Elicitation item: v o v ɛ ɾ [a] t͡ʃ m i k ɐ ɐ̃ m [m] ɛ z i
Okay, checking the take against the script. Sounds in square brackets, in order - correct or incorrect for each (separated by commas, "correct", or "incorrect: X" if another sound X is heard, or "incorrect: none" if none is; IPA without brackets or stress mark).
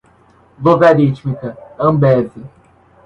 incorrect: i, incorrect: b